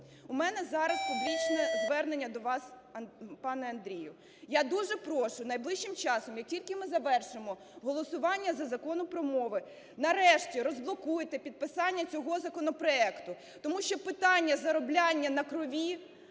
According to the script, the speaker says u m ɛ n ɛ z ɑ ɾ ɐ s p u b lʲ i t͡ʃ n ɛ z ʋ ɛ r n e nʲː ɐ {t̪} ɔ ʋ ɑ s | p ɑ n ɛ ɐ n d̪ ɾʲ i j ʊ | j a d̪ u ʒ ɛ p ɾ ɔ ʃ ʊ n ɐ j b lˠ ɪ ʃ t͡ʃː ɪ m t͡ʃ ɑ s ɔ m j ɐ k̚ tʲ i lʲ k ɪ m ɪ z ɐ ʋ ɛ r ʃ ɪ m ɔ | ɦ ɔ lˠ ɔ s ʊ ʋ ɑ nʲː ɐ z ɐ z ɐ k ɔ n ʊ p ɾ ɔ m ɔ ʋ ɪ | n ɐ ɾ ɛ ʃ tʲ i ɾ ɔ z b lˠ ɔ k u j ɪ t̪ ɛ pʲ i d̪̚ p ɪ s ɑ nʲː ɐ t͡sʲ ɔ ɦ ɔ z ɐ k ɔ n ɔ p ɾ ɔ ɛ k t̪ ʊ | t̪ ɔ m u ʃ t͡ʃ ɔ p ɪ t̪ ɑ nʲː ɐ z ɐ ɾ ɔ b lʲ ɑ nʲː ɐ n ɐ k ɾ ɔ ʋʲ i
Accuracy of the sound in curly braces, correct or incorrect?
incorrect